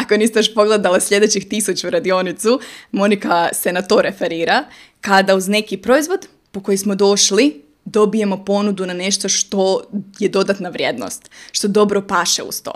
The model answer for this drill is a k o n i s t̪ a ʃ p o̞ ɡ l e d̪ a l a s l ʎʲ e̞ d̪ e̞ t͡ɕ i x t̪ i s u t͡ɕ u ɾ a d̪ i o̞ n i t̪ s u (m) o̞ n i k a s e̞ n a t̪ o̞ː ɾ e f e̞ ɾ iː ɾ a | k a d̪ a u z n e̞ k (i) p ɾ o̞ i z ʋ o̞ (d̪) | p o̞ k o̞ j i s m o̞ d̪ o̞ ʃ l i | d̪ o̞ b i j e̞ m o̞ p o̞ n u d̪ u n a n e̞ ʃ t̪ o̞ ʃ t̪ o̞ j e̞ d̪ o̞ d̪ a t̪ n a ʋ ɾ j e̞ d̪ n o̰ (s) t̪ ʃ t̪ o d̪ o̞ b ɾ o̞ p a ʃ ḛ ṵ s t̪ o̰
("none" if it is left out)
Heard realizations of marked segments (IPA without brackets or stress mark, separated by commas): m, i, d̪, s